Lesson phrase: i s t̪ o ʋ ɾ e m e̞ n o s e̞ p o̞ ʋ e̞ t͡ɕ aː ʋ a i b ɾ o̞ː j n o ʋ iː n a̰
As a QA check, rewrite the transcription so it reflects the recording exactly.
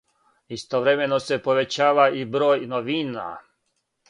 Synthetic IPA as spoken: i s t̪ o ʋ ɾ e m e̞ n o s e̞ p o̞ ʋ e̞ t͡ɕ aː ʋ a i b ɾ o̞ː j n o ʋ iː n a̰